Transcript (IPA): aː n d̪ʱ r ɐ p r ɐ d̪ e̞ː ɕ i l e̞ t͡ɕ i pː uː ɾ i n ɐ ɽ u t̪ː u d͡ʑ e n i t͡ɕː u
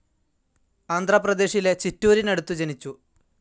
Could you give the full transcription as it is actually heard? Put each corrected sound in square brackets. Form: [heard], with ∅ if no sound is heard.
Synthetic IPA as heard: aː n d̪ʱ r ɐ p r ɐ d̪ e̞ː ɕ i l e̞ t͡ɕ i [tː] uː ɾ i n ɐ ɽ u t̪ː u d͡ʑ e n i t͡ɕː u